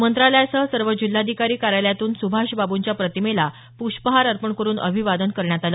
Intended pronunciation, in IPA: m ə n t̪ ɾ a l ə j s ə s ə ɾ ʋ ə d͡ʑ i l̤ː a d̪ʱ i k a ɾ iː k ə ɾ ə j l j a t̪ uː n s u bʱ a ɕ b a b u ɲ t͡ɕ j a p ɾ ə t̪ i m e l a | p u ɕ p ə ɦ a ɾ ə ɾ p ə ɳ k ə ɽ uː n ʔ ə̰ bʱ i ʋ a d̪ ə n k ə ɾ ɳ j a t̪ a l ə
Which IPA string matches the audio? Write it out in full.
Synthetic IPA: m ə n t̪ ɾ a l ə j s ə s ə ɾ ʋ ə d͡ʑ i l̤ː a d̪ʱ i k a ɾ iː k a ɾ a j l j a t̪ uː n s u bʱ a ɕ b a b u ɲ t͡ɕ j a p ɾ ə t̪ i m e l a | p u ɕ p ə ɦ a ɾ ə ɾ p ə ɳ k ə ɾ uː n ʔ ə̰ bʱ i ʋ a d̪ ə n k ə ɾ ɳ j a t̪ a l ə